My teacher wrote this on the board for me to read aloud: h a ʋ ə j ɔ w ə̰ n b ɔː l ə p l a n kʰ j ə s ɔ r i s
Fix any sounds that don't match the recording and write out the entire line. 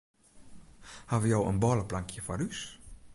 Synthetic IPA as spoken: h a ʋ ə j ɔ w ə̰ n b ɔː l ə p l a ŋ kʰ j ə f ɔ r y s